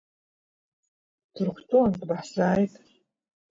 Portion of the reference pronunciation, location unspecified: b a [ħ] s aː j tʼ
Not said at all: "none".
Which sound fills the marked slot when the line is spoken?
ħ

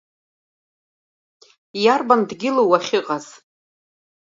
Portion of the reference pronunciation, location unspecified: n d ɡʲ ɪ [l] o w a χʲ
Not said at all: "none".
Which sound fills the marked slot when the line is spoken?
l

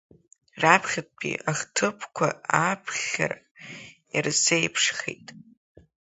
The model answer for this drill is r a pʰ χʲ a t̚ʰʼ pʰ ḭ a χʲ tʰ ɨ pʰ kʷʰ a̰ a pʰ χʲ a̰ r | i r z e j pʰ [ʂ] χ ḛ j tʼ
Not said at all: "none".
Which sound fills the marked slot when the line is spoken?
ʂ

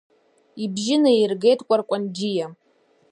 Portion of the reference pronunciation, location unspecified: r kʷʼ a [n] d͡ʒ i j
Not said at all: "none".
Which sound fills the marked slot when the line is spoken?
n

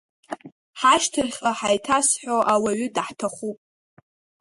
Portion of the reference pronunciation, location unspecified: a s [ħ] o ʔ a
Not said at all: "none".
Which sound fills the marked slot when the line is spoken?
ħ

